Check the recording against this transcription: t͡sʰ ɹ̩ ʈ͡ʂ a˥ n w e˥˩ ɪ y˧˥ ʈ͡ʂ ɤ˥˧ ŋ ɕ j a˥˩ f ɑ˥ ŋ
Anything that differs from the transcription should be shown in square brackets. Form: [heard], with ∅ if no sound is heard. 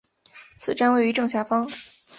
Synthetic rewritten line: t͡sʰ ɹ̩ ʈ͡ʂ a˥ n w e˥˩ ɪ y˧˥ ʈ͡ʂ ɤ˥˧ ŋ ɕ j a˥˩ f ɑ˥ ŋ